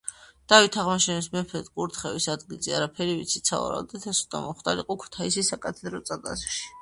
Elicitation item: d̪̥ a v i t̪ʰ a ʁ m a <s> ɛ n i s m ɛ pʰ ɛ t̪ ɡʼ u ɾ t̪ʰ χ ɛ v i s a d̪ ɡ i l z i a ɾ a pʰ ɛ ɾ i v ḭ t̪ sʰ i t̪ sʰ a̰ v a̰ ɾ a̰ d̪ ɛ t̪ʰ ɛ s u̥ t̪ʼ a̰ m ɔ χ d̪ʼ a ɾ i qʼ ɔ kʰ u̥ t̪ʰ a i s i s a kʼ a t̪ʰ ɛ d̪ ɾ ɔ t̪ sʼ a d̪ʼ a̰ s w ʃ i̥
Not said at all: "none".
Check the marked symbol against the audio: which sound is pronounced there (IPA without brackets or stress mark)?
ʃ